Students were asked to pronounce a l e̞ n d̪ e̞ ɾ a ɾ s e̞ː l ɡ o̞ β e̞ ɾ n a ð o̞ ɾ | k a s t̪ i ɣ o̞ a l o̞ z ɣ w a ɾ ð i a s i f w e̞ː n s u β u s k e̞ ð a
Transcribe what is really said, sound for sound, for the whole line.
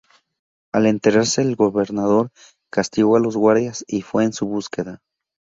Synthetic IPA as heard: a l e̞ n t̪ e̞ ɾ a ɾ s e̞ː l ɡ o̞ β e̞ ɾ n a ð o̞ ɾ | k a s t̪ i ɣ o̞ a l o̞ z ɣ w a ɾ ð j a s i f w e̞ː n s u β u s k e̞ ð a